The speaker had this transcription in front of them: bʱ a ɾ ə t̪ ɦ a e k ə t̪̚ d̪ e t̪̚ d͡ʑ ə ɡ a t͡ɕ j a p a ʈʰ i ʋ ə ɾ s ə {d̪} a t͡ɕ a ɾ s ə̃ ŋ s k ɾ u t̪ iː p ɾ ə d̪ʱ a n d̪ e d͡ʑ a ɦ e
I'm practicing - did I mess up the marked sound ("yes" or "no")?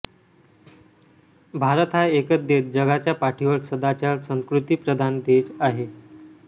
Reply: no